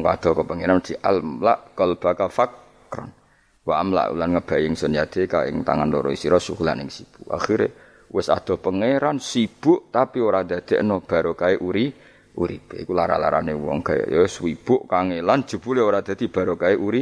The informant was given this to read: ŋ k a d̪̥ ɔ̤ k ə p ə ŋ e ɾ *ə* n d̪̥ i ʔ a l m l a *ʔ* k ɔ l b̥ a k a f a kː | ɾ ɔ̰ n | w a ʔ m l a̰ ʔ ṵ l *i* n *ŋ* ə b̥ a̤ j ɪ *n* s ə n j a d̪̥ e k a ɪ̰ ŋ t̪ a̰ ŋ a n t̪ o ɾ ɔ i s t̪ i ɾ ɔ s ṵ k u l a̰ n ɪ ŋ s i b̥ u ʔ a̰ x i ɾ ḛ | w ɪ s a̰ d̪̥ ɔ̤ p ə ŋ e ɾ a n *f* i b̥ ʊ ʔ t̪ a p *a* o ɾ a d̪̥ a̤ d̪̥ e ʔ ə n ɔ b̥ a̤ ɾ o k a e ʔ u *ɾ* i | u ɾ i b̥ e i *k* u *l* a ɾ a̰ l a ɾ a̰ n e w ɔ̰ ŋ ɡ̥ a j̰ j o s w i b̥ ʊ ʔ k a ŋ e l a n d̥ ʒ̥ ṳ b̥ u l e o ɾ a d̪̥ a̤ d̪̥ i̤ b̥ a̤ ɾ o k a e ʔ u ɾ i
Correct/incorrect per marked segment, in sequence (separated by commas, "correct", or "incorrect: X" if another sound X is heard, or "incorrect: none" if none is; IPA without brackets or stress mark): incorrect: a, correct, incorrect: a, correct, incorrect: ŋ, incorrect: s, incorrect: i, correct, correct, correct